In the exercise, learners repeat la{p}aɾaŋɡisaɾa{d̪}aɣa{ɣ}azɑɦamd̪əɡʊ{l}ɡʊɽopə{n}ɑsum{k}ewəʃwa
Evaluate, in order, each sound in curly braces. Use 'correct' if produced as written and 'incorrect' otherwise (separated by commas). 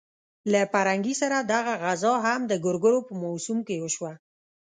correct, correct, correct, incorrect, incorrect, correct